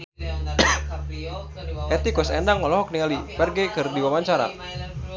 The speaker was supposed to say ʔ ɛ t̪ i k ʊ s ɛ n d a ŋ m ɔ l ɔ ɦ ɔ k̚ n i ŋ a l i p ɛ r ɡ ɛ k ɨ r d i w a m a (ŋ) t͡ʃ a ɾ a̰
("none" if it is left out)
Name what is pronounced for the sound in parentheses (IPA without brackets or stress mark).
ɲ